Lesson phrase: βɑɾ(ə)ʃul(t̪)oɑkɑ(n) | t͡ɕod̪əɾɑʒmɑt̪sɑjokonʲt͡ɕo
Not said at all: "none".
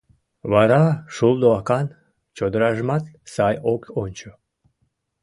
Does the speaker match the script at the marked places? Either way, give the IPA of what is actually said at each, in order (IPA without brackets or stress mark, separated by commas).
ɑ, d̪, n